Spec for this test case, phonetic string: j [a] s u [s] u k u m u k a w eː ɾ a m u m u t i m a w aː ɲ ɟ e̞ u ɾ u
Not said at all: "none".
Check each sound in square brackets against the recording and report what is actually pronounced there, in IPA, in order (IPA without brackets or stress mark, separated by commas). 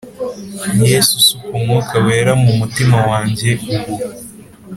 e, s